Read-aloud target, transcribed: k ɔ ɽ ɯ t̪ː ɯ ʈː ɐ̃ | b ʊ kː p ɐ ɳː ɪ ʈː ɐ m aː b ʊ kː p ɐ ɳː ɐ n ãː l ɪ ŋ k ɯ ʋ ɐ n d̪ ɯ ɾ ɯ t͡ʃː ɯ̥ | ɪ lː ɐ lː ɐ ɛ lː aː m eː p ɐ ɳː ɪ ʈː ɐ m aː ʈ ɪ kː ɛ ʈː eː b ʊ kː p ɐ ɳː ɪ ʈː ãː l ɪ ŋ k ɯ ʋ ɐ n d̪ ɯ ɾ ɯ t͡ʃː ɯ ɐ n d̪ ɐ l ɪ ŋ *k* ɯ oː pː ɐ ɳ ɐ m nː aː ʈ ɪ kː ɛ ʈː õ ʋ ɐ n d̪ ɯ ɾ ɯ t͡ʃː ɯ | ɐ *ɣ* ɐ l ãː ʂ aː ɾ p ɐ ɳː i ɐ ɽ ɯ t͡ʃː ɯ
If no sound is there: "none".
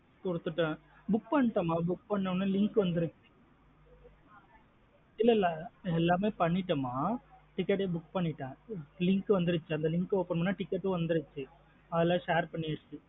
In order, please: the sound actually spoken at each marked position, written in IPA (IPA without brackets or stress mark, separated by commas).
k, ð